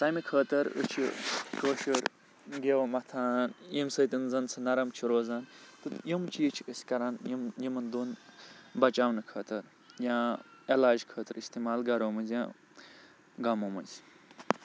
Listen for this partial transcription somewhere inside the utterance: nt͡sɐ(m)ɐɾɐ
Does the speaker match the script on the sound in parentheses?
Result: no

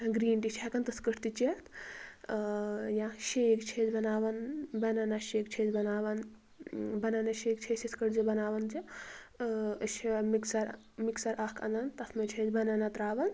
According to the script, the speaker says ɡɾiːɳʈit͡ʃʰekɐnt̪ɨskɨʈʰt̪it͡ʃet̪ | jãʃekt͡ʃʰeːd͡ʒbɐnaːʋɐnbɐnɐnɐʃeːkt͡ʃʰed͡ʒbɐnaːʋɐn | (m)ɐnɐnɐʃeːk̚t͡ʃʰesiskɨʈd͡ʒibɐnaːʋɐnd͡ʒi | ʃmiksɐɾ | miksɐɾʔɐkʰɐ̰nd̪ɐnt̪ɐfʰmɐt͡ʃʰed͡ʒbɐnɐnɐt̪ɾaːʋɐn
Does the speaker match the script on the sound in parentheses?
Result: no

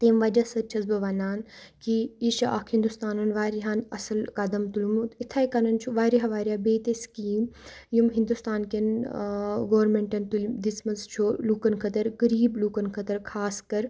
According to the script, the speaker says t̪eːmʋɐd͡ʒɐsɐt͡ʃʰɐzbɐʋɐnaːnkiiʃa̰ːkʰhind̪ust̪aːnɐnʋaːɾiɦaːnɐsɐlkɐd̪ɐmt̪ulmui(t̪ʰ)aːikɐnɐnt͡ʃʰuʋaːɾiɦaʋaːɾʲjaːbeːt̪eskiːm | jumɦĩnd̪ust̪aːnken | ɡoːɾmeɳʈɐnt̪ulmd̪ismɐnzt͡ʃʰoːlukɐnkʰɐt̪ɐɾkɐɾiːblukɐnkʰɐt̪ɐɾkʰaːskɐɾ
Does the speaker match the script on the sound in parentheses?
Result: yes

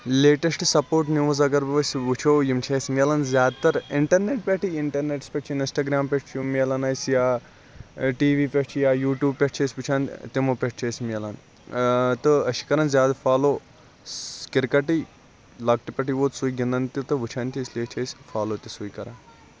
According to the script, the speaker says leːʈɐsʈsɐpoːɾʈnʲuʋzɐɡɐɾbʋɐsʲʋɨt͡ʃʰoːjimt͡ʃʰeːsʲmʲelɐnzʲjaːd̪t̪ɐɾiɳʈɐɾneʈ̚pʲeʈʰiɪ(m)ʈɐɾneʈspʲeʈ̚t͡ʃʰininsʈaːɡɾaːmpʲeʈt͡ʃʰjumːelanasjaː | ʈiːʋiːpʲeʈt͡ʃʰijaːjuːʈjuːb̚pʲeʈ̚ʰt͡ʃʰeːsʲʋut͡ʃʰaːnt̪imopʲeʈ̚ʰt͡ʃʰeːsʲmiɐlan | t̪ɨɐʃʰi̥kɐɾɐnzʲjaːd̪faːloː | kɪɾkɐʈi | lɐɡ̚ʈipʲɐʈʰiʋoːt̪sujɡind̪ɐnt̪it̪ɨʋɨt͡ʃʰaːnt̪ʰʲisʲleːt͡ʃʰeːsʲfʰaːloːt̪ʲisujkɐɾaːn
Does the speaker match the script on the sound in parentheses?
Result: no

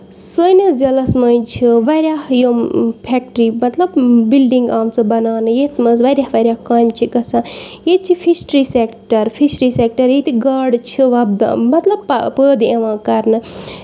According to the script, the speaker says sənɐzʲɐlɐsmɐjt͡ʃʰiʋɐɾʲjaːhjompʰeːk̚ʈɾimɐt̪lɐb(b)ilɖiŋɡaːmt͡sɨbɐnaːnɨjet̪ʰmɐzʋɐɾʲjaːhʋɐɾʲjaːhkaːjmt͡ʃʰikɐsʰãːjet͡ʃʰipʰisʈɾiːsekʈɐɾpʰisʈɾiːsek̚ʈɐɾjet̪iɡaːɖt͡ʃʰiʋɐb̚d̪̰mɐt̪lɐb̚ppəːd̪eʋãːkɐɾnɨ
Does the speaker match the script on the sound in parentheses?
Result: yes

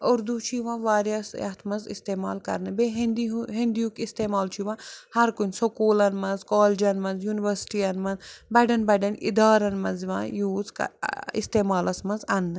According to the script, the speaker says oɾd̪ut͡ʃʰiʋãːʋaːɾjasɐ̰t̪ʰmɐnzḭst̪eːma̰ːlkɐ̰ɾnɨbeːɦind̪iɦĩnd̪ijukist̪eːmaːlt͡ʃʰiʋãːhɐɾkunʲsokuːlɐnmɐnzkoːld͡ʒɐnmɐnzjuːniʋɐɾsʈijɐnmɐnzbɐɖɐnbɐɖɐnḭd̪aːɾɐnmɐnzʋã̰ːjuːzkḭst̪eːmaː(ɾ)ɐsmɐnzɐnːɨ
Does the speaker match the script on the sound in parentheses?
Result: no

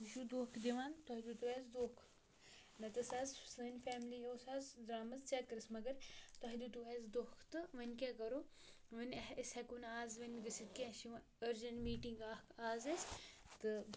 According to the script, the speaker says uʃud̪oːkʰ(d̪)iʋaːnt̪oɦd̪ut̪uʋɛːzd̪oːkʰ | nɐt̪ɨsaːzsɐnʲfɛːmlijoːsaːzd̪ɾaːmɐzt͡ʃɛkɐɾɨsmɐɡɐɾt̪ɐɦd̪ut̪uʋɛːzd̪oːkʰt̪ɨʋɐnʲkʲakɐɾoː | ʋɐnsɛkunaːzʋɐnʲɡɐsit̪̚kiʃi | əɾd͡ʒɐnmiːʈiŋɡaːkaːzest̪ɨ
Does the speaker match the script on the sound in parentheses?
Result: yes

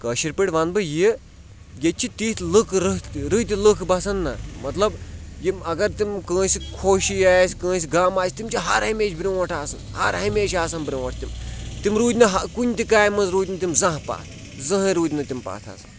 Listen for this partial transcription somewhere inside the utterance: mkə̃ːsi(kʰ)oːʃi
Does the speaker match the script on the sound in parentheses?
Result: yes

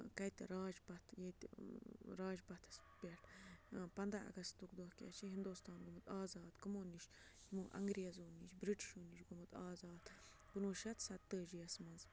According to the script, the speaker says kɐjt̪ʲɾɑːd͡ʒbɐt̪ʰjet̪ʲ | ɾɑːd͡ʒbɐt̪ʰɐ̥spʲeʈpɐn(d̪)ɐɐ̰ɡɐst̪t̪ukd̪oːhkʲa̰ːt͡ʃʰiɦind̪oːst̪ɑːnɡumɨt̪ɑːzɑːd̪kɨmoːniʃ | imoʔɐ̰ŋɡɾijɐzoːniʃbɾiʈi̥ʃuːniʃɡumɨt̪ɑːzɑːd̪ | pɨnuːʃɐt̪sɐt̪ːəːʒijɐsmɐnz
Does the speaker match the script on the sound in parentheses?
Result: yes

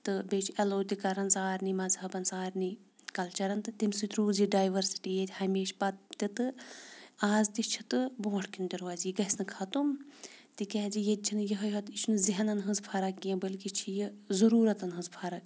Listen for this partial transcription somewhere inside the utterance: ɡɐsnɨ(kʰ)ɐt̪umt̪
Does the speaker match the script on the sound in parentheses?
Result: yes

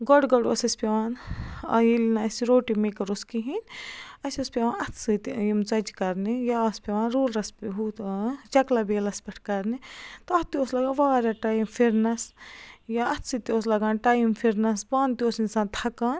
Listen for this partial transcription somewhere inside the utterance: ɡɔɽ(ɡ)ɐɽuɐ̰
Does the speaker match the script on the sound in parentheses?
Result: yes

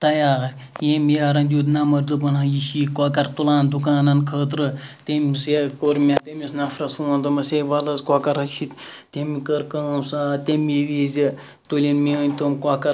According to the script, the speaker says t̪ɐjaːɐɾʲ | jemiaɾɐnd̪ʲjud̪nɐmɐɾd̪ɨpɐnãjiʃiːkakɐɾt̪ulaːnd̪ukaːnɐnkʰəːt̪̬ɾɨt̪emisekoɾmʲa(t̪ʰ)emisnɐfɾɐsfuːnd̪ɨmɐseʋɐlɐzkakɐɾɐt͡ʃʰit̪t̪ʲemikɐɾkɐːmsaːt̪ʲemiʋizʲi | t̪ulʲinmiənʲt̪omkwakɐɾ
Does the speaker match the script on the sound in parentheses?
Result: no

